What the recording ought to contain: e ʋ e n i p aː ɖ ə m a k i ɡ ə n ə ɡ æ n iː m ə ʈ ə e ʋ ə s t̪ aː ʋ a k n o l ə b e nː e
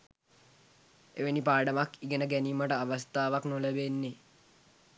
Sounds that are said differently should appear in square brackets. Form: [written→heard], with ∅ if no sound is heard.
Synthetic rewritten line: e ʋ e n i p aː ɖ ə m a k i ɡ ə n ə ɡ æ n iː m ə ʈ ə [e→a] ʋ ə s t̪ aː ʋ a k n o l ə b e nː e